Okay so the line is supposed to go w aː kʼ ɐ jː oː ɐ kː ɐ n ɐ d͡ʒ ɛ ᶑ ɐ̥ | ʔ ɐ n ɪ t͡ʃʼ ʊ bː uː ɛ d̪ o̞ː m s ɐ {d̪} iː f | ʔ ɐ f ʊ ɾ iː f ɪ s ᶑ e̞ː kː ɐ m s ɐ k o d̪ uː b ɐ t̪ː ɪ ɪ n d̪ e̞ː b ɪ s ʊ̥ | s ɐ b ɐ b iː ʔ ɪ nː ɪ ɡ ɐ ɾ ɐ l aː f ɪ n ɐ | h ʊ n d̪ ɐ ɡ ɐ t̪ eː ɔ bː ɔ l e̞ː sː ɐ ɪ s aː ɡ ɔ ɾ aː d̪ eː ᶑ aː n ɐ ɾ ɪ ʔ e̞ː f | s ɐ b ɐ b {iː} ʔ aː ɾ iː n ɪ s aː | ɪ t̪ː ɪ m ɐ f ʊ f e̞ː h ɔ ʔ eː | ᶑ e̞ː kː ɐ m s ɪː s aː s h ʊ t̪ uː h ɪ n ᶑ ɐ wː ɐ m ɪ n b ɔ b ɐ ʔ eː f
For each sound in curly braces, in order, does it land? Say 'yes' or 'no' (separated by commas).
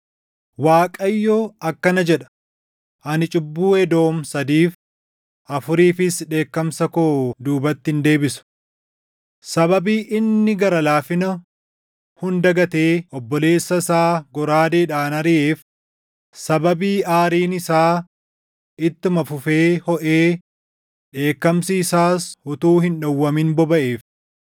yes, yes